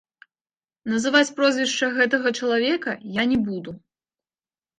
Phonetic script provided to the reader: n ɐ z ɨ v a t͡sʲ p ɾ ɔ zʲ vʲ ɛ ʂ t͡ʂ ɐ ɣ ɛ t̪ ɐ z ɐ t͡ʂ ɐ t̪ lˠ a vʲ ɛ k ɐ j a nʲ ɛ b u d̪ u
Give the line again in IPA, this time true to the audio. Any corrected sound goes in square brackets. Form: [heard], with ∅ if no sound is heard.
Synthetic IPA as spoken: n ɐ z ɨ v a t͡sʲ p ɾ ɔ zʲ vʲ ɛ ʂ t͡ʂ ɐ ɣ ɛ t̪ ɐ [ɣ] ɐ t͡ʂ ɐ [∅] lˠ a vʲ ɛ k ɐ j a nʲ ɛ b u d̪ u